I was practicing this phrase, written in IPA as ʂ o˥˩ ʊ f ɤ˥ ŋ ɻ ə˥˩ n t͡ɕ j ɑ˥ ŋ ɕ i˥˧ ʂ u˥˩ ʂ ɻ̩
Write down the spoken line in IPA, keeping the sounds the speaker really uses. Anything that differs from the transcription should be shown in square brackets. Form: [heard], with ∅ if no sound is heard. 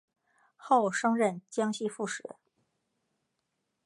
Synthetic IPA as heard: [x] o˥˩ ʊ [ʂ] ɤ˥ ŋ ɻ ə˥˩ n t͡ɕ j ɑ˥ ŋ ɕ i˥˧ [f] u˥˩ ʂ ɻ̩